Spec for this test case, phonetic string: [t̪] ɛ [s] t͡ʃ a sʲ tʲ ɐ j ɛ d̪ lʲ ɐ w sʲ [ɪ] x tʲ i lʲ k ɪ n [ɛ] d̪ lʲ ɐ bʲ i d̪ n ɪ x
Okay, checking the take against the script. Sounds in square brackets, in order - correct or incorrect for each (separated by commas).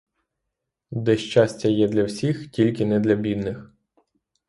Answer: incorrect, incorrect, incorrect, correct